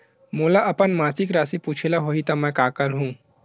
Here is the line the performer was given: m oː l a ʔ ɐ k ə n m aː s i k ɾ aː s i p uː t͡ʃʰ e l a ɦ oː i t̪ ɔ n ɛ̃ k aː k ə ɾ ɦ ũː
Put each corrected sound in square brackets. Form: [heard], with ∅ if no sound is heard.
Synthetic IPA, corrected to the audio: m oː l a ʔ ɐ [p] ə n m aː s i k ɾ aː s i p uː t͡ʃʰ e l a ɦ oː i t̪ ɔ [m] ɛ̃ k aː k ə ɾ ɦ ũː